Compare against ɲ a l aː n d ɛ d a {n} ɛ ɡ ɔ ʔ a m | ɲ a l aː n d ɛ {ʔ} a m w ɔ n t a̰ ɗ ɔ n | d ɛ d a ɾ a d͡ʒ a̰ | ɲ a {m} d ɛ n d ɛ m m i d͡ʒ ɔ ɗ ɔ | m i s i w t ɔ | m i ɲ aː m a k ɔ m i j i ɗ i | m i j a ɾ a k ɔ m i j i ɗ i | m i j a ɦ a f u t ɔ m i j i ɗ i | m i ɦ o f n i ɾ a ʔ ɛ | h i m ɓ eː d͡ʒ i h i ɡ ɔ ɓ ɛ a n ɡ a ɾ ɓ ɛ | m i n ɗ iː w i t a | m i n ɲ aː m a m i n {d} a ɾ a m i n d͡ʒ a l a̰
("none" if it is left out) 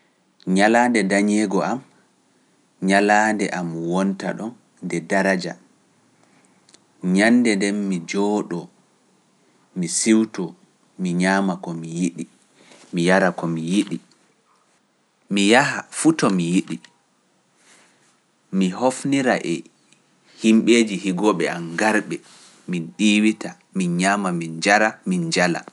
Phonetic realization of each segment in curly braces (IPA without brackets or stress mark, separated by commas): ɲ, ʔ, n, d͡ʒ